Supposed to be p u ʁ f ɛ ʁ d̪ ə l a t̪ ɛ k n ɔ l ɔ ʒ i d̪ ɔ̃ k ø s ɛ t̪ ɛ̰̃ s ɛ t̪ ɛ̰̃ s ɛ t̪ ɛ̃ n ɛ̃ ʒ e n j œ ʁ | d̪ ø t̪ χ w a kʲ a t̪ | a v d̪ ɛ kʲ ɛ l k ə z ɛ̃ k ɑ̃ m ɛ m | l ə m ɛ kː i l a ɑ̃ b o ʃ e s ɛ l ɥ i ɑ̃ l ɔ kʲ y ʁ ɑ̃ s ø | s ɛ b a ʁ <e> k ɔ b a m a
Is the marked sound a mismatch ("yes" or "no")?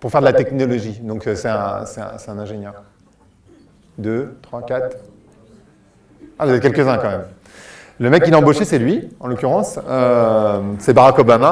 yes